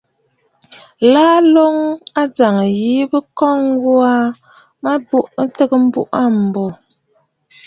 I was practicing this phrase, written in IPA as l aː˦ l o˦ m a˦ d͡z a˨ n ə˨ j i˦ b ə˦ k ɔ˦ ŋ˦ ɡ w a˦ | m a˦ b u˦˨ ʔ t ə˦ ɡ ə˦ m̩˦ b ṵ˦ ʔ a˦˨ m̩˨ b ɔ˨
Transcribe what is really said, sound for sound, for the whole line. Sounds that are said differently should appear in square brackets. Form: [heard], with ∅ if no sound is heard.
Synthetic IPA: l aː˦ l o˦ [ŋ] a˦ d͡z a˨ [ŋ] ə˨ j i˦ b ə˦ k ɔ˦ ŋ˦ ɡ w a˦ | m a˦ b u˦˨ ʔ t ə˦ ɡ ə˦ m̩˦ b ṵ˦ ʔ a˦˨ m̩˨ b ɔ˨